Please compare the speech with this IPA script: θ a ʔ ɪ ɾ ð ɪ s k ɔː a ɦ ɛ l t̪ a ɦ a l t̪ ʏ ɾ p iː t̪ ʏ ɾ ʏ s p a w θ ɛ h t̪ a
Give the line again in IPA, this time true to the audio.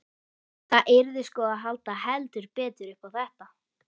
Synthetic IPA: θ a ʔ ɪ ɾ ð ɪ s k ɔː a ɦ a l t̪ a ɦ ɛ l t̪ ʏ ɾ p ɛː t̪ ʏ ɾ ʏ h p a w θ ɛ h t̪ a